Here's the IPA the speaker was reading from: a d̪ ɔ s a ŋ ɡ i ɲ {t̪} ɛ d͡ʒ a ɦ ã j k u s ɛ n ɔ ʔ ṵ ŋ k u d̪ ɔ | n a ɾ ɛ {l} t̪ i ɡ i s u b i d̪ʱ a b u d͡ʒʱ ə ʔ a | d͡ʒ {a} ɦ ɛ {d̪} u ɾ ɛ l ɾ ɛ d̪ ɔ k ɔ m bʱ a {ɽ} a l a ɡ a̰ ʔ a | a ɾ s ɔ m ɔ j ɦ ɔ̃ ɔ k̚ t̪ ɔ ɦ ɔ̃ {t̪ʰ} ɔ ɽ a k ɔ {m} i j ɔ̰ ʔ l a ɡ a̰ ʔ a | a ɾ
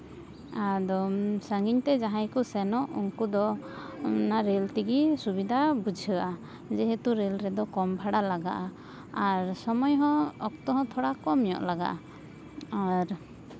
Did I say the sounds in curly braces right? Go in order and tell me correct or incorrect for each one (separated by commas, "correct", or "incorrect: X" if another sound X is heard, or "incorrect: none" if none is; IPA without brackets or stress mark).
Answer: correct, correct, incorrect: ɛ, incorrect: t̪, correct, correct, correct